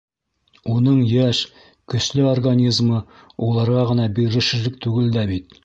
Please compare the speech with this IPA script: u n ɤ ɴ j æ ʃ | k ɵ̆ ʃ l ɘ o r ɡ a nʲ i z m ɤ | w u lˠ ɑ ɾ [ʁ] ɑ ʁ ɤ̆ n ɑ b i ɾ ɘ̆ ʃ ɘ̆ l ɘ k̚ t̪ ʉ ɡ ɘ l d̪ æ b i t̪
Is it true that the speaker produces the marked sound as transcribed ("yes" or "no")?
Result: yes